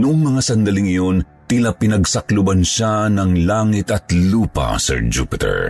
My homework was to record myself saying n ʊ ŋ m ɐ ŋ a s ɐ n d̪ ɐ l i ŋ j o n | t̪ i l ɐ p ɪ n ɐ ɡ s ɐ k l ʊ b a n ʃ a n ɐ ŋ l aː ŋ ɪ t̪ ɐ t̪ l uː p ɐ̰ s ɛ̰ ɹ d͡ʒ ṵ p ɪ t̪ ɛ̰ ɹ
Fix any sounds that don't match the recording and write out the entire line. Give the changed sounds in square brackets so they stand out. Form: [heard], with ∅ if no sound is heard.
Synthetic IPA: n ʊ ŋ m ɐ ŋ a s ɐ n d̪ ɐ l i ŋ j o n | t̪ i l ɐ p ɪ n ɐ ɡ s ɐ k l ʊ b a n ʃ a n ɐ ŋ l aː ŋ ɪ t̪ ɐ t̪ l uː p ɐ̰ s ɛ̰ ɹ d͡ʒ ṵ p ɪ t̪ ɛ̰ ɹ